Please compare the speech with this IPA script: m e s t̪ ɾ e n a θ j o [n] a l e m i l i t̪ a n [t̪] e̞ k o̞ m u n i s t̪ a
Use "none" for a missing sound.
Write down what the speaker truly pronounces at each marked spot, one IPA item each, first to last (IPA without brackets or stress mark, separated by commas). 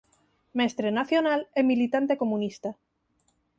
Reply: n, t̪